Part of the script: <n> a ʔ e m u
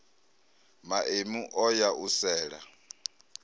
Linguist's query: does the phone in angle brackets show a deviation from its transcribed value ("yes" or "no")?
yes